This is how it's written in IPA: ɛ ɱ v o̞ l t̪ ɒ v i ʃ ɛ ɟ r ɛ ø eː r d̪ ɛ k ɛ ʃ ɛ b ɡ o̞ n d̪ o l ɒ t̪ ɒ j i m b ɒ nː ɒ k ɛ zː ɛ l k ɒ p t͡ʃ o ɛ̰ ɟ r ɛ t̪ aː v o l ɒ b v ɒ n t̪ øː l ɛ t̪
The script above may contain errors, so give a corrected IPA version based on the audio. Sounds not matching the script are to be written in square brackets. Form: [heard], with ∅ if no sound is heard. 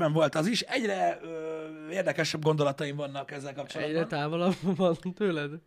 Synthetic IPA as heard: ɛ ɱ v o̞ l t̪ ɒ [z] i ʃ ɛ ɟ r ɛ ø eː r d̪ ɛ k ɛ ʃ ɛ b ɡ o̞ n d̪ o l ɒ t̪ ɒ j i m [v] ɒ nː ɒ k ɛ zː ɛ l k ɒ p t͡ʃ o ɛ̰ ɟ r ɛ t̪ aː v o l ɒ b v ɒ n t̪ øː l ɛ [d̪]